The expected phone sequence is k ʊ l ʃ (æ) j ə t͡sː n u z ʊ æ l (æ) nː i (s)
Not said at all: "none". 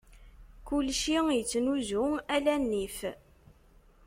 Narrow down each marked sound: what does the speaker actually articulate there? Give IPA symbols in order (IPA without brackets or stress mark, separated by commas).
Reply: i, æ, f